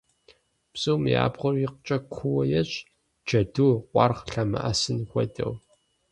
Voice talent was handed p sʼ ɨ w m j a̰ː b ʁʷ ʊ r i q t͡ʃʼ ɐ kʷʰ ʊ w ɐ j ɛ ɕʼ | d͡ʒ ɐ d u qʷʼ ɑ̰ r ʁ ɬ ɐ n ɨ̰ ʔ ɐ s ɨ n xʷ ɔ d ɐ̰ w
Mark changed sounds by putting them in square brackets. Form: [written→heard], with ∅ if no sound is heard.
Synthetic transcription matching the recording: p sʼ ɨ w m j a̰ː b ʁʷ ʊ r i q t͡ʃʼ ɐ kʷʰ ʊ w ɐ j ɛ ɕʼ | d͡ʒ ɐ d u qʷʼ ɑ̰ r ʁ ɬ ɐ [n→m] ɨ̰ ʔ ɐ s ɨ n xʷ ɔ d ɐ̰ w